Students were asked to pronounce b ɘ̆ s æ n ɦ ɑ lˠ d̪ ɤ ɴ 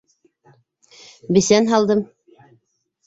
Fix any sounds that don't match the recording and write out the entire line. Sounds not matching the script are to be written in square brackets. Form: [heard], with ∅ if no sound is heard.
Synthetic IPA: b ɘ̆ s æ n ɦ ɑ lˠ d̪ ɤ [m]